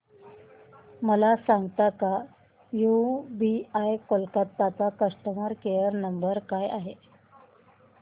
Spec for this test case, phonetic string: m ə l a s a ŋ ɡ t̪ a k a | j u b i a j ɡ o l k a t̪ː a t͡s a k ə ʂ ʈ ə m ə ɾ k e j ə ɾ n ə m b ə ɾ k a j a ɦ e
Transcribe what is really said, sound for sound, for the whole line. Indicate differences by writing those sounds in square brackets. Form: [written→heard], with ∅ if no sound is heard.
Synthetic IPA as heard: m ə l a s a ŋ ɡ t̪ a k a | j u b i a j [ɡ→k] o l k a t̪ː a t͡s a k ə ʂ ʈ ə m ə ɾ k e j ə ɾ n ə m b ə ɾ k a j a ɦ e

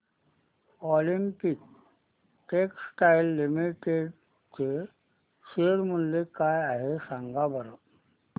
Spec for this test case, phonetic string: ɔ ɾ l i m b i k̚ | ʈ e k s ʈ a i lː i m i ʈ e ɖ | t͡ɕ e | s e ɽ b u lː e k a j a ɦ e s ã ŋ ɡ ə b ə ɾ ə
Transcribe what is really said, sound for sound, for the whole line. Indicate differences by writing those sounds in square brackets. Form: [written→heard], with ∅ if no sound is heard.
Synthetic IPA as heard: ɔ [ɾ→∅] l i m [b→p] i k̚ | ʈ e k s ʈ a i lː i m i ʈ e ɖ | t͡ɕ e | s e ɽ [b→m] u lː e k a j a ɦ e s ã ŋ ɡ [ə→a] b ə ɾ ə

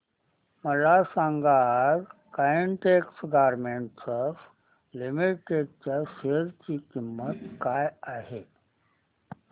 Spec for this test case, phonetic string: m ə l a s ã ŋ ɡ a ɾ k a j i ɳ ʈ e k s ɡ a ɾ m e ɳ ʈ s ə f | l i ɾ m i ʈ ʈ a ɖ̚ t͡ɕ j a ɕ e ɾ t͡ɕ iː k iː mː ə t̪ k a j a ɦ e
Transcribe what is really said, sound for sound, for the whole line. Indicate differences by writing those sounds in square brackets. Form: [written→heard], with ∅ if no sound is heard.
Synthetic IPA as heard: m ə l a s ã ŋ ɡ a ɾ k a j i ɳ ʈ e k s ɡ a ɾ m e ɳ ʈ s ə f | l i [ɾ→∅] m i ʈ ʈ [a→e] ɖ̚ t͡ɕ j a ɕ e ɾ t͡ɕ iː k [iː→i] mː ə t̪ k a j a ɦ e

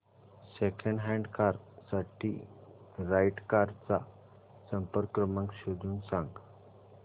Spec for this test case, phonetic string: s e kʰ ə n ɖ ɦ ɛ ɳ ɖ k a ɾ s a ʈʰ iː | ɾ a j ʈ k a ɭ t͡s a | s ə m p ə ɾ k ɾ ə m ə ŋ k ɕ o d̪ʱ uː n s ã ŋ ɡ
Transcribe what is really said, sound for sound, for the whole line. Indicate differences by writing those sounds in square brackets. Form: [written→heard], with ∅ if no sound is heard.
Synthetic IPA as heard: s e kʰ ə [n→ɳ] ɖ ɦ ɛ ɳ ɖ k a ɾ s a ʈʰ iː | ɾ a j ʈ k a [ɭ→ɾ] t͡s a | s ə m p ə ɾ k ɾ ə m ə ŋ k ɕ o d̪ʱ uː n s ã ŋ ɡ

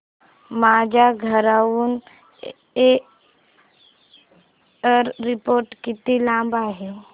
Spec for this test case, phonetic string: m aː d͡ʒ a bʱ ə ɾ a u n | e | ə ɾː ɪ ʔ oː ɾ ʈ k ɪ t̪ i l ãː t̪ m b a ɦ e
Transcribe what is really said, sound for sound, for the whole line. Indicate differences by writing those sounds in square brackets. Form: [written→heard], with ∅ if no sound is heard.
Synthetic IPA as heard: m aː d͡ʒ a [bʱ→ɡʱ] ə ɾ a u n | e | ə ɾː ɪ [ʔ→p] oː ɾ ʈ k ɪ t̪ i l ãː [t̪→∅] m b a ɦ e

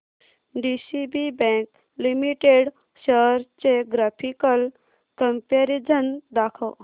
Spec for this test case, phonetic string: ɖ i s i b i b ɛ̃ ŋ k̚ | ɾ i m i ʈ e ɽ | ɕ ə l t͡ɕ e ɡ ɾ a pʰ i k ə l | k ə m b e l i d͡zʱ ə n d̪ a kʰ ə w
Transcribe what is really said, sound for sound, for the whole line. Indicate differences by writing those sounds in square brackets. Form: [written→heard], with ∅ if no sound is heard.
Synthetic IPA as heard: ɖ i s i b i b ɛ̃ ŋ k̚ | [ɾ→l] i m i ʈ e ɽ | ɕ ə [l→ɾ] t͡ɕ e ɡ ɾ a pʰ i k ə l | k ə m [b→p] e [l→ɾ] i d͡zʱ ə n d̪ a kʰ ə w

